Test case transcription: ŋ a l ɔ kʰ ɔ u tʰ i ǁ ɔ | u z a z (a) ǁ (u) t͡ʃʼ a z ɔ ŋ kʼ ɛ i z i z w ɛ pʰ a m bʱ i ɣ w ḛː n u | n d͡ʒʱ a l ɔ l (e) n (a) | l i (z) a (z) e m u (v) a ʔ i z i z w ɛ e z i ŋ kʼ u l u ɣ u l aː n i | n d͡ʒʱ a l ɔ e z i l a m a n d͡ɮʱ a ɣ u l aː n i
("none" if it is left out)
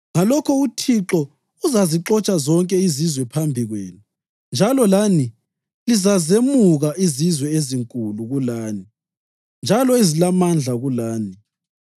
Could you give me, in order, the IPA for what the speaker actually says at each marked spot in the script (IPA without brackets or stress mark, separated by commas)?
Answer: i, ɔ, a, i, z, z, ɣ